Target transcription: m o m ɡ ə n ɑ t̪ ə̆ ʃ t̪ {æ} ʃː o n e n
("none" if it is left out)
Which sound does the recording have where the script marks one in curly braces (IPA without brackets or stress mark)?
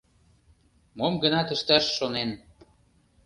æ